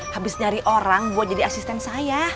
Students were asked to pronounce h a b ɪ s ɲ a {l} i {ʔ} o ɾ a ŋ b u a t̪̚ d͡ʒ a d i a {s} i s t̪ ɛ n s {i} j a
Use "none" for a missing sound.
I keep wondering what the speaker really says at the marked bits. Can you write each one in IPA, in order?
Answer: ɾ, ʔ, s, a

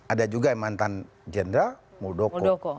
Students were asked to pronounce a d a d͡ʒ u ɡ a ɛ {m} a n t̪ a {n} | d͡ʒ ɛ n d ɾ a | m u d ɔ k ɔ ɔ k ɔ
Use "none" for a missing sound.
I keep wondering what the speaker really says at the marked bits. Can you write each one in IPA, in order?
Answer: m, n

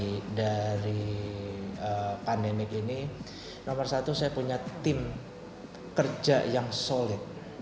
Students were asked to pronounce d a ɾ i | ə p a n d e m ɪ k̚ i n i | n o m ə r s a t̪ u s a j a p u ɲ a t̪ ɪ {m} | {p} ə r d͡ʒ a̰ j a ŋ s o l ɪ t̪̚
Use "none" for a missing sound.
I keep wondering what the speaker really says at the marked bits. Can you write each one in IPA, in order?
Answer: m, k

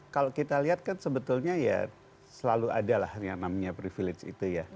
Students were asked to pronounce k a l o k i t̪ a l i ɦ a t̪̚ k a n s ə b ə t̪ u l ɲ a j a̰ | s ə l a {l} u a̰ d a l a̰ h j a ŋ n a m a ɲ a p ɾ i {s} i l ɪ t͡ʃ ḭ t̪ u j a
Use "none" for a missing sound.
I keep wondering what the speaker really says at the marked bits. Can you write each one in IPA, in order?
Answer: l, f

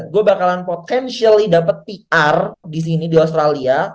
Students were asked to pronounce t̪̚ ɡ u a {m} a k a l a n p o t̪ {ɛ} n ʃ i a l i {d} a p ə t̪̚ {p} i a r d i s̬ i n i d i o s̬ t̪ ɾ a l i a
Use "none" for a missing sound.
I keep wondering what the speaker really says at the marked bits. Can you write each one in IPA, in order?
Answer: b, ɛ, d, p

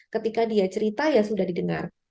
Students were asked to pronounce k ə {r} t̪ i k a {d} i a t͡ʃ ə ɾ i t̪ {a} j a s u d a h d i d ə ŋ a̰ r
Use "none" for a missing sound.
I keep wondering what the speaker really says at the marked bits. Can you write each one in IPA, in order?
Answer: none, d, a

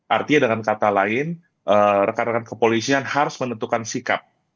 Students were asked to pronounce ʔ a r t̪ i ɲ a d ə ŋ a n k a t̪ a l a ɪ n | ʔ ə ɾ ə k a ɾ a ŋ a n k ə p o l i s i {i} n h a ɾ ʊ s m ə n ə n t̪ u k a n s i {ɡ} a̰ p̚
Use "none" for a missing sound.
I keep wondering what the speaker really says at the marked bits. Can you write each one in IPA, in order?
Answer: a, k

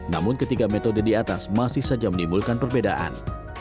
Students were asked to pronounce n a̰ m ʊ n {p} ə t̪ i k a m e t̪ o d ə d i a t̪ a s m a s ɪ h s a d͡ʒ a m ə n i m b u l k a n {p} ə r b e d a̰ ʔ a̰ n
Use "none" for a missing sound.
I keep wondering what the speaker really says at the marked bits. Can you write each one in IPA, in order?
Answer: k, p

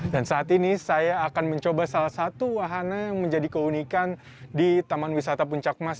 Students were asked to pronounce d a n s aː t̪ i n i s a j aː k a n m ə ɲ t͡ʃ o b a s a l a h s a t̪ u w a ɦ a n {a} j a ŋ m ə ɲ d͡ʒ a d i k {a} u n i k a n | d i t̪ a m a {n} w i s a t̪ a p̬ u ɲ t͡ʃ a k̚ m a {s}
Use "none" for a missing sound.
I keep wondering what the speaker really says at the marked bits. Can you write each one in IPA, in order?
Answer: a, ə, n, s

